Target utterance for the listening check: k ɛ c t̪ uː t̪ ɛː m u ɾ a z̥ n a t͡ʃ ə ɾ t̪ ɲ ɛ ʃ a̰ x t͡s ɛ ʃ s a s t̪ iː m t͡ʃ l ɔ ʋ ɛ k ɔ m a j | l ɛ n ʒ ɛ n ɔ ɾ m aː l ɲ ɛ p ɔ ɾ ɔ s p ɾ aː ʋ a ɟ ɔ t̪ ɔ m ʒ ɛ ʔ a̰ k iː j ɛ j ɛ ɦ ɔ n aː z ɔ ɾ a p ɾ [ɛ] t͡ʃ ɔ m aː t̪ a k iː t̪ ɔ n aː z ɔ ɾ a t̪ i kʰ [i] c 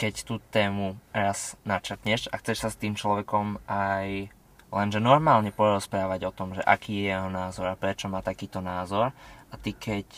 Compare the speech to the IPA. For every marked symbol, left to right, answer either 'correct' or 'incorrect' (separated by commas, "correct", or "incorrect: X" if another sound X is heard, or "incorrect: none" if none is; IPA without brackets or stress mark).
correct, incorrect: ɛ